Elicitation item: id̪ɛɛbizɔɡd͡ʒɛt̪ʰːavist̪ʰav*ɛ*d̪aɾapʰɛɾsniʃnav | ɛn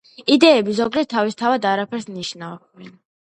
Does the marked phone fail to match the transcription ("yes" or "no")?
yes